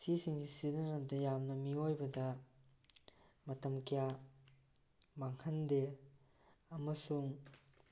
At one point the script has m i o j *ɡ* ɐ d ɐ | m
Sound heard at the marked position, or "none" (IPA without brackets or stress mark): b